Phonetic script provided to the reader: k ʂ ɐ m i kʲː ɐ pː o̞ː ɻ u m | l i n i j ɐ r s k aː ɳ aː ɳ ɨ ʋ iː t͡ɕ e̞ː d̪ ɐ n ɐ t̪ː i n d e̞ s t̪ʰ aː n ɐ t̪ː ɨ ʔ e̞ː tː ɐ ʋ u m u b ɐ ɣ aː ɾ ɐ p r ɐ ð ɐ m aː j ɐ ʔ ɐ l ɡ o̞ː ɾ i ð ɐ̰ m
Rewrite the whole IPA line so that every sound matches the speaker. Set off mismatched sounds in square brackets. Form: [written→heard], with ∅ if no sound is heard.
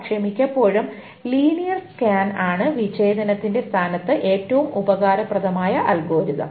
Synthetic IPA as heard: k ʂ ɐ m i kʲː ɐ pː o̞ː ɻ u m | l [i→iː] n i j ɐ r s k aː [ɳ→n] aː ɳ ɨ ʋ [iː→i] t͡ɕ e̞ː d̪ ɐ n ɐ t̪ː i n d e̞ s t̪ʰ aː n ɐ t̪ː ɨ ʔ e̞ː tː ɐ ʋ u m u b ɐ ɣ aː ɾ ɐ p r ɐ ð ɐ m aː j ɐ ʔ ɐ l ɡ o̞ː ɾ i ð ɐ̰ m